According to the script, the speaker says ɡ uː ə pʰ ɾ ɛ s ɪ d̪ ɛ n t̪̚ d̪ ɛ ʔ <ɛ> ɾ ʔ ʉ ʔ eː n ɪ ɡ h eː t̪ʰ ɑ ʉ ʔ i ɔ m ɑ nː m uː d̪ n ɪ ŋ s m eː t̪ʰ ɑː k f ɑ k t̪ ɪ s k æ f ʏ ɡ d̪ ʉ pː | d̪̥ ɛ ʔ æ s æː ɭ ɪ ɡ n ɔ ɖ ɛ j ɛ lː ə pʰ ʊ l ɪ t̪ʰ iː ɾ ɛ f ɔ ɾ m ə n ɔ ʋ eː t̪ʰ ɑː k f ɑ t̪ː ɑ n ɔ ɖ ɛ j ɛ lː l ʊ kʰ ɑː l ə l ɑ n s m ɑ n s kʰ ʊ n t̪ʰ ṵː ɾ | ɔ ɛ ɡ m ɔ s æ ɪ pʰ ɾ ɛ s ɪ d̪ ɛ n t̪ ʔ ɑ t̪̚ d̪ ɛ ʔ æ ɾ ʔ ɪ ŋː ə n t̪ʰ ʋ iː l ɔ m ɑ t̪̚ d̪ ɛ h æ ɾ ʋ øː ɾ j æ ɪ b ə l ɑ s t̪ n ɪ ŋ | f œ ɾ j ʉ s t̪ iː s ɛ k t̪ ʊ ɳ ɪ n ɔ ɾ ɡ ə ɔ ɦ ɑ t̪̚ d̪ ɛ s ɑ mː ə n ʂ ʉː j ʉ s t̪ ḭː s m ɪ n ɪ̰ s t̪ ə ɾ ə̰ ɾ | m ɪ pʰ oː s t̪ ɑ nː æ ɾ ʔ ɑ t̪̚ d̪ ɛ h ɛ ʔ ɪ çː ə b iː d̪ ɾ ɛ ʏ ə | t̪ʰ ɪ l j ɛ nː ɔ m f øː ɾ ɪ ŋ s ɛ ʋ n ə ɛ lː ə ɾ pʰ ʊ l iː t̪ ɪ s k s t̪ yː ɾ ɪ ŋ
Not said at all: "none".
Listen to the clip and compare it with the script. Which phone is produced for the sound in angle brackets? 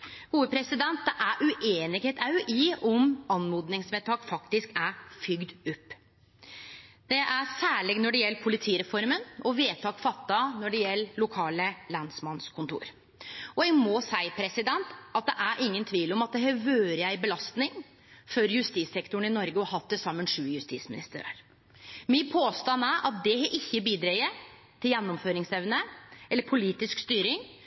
æ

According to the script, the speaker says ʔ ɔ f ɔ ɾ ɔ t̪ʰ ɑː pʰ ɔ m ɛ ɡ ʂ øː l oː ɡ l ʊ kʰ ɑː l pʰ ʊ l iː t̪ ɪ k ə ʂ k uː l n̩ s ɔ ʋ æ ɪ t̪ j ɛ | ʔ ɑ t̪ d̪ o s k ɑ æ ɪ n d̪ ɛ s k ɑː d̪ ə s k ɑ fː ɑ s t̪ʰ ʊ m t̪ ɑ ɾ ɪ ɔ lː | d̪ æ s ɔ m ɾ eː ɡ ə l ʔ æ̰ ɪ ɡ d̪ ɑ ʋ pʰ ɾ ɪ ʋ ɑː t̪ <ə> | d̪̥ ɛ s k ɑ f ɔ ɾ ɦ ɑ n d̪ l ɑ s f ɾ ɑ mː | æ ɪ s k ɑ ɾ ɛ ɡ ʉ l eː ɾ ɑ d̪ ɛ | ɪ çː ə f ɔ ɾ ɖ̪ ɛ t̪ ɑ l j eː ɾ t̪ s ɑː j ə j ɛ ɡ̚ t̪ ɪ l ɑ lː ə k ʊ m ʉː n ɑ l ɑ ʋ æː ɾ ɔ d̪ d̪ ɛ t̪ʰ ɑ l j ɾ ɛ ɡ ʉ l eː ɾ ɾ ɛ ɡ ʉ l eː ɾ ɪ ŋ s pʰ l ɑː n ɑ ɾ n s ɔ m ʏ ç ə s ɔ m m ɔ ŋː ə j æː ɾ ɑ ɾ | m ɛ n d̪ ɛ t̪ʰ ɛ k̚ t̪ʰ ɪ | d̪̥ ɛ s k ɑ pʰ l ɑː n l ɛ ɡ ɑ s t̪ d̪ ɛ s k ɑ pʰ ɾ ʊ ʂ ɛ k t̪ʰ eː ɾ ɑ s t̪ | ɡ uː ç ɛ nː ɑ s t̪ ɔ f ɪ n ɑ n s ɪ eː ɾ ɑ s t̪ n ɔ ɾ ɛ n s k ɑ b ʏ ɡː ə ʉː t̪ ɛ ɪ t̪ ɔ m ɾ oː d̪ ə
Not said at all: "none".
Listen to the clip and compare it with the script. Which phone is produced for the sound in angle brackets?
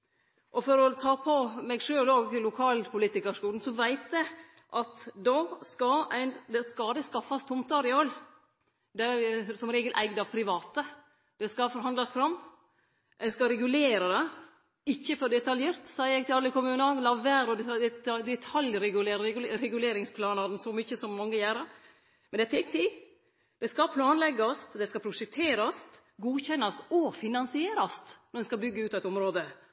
ə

